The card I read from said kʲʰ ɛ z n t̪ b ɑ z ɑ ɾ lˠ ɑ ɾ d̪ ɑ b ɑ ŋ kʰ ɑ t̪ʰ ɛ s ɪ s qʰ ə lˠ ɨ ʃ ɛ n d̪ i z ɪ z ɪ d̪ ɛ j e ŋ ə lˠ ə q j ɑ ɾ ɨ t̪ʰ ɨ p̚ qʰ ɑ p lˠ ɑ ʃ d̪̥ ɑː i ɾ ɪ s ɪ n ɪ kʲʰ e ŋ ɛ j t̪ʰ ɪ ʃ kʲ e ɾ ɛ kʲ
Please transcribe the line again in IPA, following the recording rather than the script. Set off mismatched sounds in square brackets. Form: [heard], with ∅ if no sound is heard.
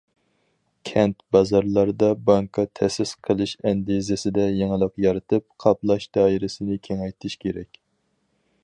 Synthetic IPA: kʲʰ ɛ [∅] n t̪ b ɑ z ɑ ɾ lˠ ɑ ɾ d̪ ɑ b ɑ ŋ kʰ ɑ t̪ʰ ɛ s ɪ s qʰ ə lˠ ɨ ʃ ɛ n d̪ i z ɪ [s] ɪ d̪ ɛ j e ŋ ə lˠ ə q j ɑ ɾ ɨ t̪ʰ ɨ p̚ qʰ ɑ p lˠ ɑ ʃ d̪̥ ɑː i ɾ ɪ s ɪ n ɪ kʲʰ e ŋ ɛ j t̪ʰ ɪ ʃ kʲ e ɾ ɛ kʲ

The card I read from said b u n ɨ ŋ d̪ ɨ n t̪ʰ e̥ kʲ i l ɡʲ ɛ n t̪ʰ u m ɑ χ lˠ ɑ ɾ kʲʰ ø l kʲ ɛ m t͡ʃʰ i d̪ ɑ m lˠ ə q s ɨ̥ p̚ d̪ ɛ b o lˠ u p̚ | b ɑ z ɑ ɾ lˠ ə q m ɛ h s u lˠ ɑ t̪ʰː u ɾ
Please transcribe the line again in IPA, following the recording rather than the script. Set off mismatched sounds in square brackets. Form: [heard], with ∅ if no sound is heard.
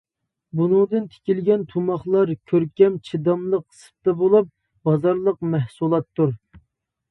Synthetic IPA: b u n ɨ ŋ d̪ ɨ n t̪ʰ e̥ kʲ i l ɡʲ ɛ n t̪ʰ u m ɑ χ lˠ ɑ ɾ kʲʰ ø [ɾ] kʲ ɛ m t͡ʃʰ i d̪ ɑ m lˠ ə q s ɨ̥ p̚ [t̪] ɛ b o lˠ u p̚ | b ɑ z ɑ ɾ lˠ ə q m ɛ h s u lˠ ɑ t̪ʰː u ɾ

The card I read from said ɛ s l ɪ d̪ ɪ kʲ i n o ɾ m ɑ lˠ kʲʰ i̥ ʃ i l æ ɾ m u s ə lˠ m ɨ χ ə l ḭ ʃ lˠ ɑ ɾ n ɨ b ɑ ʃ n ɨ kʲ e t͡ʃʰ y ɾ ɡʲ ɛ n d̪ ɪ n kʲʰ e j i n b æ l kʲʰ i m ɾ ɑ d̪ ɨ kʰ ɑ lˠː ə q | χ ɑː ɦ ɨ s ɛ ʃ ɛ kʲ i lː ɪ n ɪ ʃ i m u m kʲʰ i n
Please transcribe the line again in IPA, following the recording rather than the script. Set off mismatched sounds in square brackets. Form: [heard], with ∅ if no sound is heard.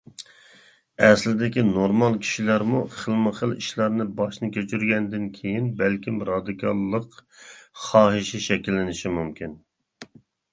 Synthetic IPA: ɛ s l ɪ d̪ ɪ kʲ i n o ɾ m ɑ lˠ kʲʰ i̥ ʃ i l æ ɾ m u [χ] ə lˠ m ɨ χ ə l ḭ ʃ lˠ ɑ ɾ n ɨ b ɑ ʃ n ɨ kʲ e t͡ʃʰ y ɾ ɡʲ ɛ n d̪ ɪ n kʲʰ e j i n b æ l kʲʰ i m ɾ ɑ d̪ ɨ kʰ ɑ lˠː ə q | χ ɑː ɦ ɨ [ʃ] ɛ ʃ ɛ kʲ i lː ɪ n ɪ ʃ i m u m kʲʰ i n

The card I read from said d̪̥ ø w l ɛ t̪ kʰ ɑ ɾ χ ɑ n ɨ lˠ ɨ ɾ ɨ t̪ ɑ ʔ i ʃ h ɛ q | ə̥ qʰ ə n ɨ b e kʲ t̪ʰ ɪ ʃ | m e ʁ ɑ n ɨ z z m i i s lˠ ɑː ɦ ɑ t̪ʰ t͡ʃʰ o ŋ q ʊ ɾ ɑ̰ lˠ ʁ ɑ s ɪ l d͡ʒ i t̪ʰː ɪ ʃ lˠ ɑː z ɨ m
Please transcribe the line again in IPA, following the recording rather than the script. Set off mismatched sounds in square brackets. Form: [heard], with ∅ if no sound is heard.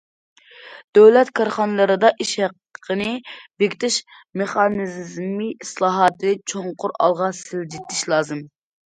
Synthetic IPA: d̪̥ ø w l ɛ t̪ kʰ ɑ ɾ χ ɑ n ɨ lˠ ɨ ɾ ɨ [d̪] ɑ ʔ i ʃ h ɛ q | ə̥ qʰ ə n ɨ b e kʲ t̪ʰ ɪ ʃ | m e [χ] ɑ n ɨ z z m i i s lˠ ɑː ɦ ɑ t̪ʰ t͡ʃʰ o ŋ q ʊ ɾ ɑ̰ lˠ ʁ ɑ s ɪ l d͡ʒ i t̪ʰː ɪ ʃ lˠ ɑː z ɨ m

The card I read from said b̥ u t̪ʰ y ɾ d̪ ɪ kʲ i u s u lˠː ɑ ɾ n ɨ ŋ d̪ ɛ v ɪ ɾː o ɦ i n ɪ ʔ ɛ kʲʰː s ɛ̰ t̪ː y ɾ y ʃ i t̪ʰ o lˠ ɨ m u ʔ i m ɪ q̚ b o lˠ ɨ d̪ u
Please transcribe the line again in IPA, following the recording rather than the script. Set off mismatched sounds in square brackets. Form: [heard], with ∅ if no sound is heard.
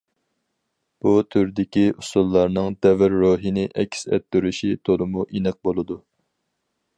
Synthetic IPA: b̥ u t̪ʰ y ɾ d̪ ɪ kʲ i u s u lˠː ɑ ɾ n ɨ ŋ d̪ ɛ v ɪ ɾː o ɦ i n ɪ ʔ ɛ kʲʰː s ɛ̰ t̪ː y ɾ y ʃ i t̪ʰ o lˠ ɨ m u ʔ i [n] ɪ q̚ b o lˠ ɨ d̪ u

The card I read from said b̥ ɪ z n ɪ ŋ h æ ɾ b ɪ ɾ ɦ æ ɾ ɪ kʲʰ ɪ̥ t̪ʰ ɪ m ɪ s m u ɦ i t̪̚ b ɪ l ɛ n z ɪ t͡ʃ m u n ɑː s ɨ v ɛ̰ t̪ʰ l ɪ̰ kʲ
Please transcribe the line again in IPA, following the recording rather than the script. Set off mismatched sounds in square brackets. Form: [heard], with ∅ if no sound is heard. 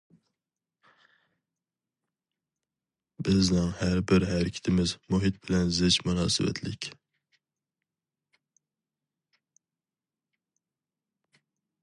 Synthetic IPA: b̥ ɪ z n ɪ ŋ h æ ɾ b ɪ ɾ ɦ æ ɾ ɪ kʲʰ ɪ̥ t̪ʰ ɪ m ɪ [z] m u ɦ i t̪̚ b ɪ l ɛ n z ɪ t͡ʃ m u n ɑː s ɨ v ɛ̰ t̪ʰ l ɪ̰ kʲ

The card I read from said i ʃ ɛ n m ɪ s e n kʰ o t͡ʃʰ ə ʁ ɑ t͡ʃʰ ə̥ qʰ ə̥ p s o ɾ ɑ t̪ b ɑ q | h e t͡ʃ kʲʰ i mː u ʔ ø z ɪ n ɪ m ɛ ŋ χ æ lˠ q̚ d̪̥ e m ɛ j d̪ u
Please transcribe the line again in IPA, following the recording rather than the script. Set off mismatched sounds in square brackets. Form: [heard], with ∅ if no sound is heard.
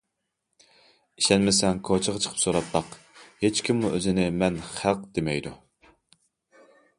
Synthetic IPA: i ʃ ɛ n m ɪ s [ɛ] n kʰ o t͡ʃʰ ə ʁ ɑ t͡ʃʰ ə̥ qʰ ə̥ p s o ɾ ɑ t̪ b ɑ q | h e t͡ʃ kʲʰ i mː u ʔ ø z ɪ n ɪ m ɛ [n] χ æ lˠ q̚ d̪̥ e m ɛ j d̪ u

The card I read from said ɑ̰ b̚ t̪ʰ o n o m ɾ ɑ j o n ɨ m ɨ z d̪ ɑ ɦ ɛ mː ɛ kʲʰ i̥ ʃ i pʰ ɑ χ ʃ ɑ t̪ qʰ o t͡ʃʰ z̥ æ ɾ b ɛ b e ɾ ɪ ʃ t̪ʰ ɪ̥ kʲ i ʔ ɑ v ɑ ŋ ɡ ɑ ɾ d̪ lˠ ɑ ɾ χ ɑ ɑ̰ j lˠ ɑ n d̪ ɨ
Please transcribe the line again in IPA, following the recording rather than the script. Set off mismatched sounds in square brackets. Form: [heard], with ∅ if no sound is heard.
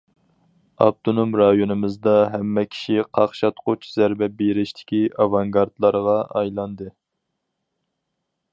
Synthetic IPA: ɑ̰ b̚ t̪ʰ o n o m ɾ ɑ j o n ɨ m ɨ z d̪ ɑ ɦ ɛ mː ɛ kʲʰ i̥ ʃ i [qʰ] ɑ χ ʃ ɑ t̪ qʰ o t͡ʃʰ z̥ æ ɾ b ɛ b e ɾ ɪ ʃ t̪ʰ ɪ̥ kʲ i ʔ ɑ v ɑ ŋ ɡ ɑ ɾ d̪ lˠ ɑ ɾ [ʁ] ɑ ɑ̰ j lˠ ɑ n d̪ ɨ

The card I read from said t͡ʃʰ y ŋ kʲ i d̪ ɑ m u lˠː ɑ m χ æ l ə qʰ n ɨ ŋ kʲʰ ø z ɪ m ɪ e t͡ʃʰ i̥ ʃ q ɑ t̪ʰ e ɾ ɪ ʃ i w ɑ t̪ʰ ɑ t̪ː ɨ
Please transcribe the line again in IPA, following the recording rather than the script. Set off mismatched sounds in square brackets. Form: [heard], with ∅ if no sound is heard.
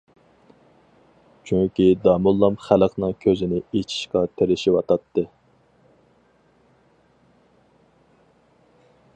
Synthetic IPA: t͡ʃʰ y ŋ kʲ i d̪ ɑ m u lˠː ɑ m χ æ l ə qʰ n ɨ ŋ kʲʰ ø z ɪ [n] ɪ e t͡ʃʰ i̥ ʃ q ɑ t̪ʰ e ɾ ɪ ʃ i w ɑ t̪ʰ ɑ t̪ː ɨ

